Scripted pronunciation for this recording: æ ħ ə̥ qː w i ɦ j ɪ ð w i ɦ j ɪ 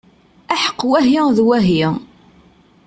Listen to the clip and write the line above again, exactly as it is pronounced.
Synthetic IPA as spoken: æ ħ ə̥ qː w æ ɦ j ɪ ð w æ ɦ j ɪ